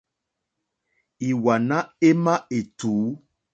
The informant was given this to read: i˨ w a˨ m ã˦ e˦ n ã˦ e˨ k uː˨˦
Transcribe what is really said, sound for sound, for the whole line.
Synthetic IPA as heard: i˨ w a˨ n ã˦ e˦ m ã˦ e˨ t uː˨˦